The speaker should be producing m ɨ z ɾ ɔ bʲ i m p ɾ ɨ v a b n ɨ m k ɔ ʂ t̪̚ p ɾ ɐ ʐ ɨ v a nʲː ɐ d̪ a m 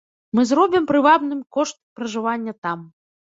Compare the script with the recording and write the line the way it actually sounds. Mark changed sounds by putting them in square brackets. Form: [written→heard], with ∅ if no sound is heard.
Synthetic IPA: m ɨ z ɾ ɔ bʲ i m p ɾ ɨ v a b n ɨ m k ɔ ʂ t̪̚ p ɾ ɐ ʐ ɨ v a nʲː ɐ [d̪→t̪] a m